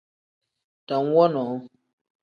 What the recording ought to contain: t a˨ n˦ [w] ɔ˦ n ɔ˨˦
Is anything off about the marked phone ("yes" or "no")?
no